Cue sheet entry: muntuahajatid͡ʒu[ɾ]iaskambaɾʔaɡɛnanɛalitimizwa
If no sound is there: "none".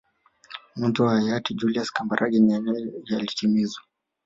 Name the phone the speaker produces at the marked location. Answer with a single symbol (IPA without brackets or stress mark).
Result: l